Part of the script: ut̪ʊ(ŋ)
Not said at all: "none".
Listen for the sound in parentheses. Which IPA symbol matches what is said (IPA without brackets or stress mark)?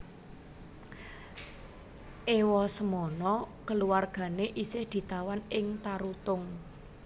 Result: ŋ